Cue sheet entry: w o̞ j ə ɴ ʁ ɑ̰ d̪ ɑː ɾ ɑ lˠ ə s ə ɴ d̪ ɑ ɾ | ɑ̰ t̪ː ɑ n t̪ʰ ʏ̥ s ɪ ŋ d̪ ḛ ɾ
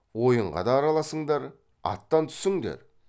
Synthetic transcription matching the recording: w o̞ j ə ɴ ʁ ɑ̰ d̪ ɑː ɾ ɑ lˠ ɑ s ə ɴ d̪ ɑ ɾ | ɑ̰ t̪ː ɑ n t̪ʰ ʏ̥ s ɪ ŋ d̪ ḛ ɾ